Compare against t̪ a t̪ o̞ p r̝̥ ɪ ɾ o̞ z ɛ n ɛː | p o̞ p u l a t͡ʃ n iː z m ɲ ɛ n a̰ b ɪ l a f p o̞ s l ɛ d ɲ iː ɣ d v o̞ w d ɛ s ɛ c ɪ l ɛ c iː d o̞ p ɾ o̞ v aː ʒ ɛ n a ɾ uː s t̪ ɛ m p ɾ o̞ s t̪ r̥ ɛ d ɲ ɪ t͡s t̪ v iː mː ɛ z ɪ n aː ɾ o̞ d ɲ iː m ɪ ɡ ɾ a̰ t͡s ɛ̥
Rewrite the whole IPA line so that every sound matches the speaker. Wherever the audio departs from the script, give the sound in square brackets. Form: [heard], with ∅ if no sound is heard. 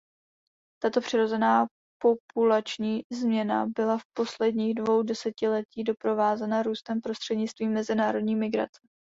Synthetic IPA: t̪ a t̪ o̞ p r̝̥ ɪ ɾ o̞ z ɛ n [aː] | p o̞ p u l a t͡ʃ [ɲ] iː z m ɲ ɛ n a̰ b ɪ l a f p o̞ s l ɛ d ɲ iː ɣ d v o̞ w d ɛ s ɛ c ɪ l ɛ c iː d o̞ p ɾ o̞ v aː [z] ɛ n a ɾ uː s t̪ ɛ m p ɾ o̞ s t̪ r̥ ɛ d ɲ ɪ t͡s t̪ v iː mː ɛ z ɪ n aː ɾ o̞ d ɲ iː m ɪ ɡ ɾ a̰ t͡s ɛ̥